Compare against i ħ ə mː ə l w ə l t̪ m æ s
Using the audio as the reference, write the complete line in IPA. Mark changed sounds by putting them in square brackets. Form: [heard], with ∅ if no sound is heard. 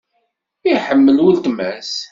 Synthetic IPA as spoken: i ħ ə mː ə l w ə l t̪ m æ s